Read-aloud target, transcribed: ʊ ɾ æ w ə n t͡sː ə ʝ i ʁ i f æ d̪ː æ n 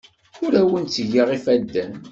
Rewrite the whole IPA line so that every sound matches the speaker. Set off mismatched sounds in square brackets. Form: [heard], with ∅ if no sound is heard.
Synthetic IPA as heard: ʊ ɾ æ w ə n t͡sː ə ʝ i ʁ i f æ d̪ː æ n